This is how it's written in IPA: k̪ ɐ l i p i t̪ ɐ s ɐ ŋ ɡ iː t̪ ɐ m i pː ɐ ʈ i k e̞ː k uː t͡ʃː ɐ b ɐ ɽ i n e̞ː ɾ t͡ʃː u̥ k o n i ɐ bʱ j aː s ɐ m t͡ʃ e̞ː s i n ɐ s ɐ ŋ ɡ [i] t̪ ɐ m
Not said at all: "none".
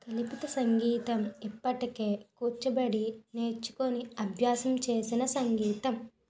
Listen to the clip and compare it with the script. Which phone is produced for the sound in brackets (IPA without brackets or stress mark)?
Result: iː